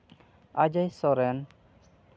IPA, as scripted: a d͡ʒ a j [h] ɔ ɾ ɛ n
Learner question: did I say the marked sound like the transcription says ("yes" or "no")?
no